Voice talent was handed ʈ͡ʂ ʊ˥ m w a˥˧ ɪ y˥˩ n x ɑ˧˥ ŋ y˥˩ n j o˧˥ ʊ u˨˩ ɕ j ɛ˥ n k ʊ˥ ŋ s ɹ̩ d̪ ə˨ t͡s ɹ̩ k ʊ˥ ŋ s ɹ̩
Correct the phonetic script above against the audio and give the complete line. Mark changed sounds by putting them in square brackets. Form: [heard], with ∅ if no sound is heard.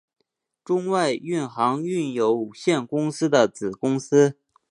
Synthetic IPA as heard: ʈ͡ʂ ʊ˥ [ŋ] w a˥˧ ɪ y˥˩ n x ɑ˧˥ ŋ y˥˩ n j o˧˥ ʊ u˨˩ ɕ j [ɛ˥˩] n k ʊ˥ ŋ s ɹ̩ d̪ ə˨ t͡s ɹ̩ k ʊ˥ ŋ s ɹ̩